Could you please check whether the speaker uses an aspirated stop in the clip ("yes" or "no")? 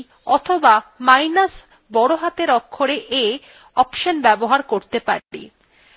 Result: yes